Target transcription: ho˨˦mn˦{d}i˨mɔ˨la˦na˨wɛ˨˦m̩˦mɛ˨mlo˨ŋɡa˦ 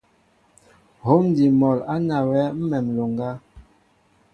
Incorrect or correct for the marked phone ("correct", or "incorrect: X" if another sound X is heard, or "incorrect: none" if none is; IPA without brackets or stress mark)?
correct